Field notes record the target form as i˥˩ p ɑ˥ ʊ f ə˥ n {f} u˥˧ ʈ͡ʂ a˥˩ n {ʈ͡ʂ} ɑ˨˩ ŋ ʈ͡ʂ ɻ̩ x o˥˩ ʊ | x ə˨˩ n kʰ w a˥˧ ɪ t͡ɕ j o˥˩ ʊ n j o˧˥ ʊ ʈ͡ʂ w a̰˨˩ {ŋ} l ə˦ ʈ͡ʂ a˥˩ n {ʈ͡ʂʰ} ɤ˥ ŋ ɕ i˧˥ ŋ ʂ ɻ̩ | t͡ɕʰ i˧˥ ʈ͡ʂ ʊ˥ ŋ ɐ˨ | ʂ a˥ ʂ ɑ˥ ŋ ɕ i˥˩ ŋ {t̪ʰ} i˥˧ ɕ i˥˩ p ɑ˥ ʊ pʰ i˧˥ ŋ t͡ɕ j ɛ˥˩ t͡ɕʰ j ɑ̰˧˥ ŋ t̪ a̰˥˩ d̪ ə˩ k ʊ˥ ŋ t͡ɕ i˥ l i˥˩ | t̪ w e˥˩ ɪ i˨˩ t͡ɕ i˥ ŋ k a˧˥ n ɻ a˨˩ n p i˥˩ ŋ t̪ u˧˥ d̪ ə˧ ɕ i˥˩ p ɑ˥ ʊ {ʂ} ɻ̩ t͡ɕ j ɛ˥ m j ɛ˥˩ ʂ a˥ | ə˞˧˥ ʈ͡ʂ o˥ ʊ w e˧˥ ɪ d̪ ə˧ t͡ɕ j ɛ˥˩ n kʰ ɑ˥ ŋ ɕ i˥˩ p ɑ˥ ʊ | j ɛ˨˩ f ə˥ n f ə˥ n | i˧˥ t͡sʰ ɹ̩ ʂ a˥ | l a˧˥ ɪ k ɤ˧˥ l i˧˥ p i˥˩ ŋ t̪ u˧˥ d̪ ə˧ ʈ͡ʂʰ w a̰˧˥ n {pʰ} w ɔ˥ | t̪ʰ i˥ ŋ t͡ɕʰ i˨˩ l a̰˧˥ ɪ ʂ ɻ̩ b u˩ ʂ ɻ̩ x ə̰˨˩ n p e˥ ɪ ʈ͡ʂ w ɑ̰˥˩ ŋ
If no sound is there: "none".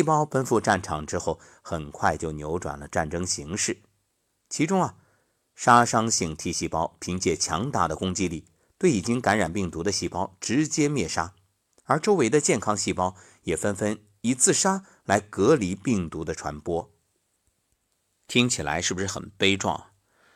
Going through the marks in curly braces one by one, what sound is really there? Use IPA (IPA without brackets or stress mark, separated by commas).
f, ʈ͡ʂʰ, n, ʈ͡ʂ, t̪ʰ, ʈ͡ʂ, p